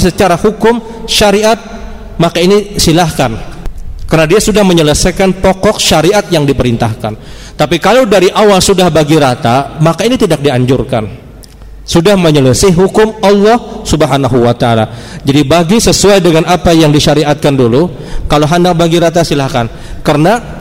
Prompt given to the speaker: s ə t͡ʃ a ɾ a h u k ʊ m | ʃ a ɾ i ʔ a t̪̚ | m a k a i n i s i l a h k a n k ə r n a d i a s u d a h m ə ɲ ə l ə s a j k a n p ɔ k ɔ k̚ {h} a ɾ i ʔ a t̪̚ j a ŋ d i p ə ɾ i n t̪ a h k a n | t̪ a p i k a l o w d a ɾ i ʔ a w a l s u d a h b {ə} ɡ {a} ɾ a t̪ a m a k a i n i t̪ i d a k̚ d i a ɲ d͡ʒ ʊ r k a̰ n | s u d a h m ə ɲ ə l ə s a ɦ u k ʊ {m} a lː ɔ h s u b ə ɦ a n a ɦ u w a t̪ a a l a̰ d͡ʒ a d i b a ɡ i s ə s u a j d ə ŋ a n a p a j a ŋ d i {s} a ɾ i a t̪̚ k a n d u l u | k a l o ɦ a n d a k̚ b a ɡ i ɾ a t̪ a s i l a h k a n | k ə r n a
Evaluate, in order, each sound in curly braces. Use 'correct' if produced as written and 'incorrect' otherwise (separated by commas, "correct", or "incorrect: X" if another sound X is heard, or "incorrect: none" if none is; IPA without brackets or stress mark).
incorrect: ʃ, incorrect: a, incorrect: i, correct, incorrect: ʃ